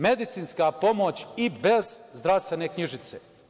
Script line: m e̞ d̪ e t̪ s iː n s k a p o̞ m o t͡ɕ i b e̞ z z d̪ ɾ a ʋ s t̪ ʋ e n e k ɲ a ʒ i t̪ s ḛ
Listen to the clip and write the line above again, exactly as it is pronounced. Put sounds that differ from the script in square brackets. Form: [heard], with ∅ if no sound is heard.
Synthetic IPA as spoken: m e̞ d̪ [i] t̪ s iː n s k a p o̞ m o t͡ɕ i b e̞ z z d̪ ɾ a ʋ s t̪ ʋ e n e k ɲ [i] ʒ i t̪ s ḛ